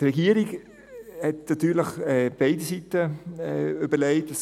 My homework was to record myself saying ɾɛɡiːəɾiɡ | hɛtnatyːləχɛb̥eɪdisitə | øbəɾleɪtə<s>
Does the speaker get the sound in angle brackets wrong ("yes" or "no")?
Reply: no